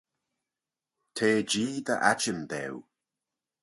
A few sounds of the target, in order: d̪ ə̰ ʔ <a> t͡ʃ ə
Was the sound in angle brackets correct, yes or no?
yes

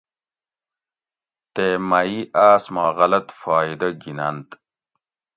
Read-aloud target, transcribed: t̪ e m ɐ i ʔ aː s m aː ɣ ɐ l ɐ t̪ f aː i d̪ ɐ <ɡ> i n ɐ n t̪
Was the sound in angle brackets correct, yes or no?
yes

